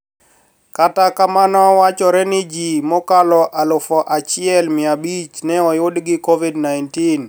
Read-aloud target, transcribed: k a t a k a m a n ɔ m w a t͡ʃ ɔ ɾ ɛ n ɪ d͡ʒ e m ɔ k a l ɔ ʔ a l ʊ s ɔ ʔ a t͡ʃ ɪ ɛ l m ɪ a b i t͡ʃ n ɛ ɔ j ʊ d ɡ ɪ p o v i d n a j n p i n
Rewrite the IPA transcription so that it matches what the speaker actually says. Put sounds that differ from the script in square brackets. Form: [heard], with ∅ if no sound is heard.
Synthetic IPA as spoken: k a t a k a m a n ɔ [∅] w a t͡ʃ ɔ ɾ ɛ n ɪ d͡ʒ [i] m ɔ k a l ɔ ʔ a l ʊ [f] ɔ ʔ a t͡ʃ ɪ ɛ l m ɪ a b i t͡ʃ n ɛ ɔ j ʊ d ɡ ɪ [k] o v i d n a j n [t] i n